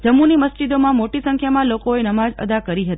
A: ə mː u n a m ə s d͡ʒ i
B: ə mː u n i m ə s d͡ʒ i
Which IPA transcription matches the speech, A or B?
B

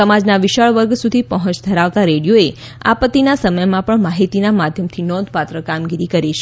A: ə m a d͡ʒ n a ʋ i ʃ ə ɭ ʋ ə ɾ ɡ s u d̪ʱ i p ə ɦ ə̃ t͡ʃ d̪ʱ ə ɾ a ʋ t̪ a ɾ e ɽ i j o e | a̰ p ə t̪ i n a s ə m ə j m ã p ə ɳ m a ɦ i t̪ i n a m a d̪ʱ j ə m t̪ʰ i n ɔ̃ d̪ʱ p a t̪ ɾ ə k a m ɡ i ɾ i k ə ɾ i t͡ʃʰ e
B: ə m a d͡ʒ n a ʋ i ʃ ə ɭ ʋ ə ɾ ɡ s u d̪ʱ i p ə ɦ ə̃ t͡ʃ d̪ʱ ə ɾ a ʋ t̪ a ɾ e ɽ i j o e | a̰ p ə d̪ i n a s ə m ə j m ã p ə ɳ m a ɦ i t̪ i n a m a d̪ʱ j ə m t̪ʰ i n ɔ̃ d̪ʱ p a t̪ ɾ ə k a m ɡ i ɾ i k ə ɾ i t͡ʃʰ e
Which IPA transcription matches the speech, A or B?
A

